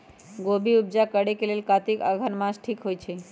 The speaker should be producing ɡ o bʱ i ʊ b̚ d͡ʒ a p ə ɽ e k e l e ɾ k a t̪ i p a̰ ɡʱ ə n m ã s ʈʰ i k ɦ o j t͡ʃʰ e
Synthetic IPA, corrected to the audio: ɡ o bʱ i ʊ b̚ d͡ʒ a k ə ɽ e k e l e l k a t̪ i k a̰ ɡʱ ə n m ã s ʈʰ i k ɦ o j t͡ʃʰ e